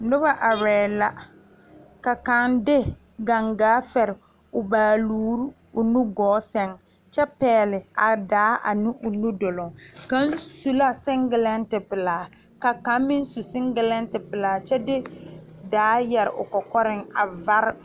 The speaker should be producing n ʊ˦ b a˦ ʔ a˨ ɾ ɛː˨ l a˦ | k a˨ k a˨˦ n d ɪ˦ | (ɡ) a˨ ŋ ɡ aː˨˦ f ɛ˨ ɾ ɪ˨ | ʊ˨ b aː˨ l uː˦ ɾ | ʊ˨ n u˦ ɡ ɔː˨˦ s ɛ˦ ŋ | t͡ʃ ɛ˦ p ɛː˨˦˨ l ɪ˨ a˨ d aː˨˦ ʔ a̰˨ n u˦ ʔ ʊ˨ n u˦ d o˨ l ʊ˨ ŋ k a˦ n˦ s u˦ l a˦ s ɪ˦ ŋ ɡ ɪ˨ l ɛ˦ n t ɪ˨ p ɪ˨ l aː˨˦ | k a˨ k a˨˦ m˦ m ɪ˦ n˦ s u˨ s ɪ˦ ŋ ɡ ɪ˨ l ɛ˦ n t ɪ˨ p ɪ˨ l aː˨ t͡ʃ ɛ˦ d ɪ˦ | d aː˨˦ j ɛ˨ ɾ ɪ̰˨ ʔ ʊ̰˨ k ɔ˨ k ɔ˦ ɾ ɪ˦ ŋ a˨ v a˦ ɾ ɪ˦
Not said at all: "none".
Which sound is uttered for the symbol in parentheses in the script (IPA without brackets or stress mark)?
ɡ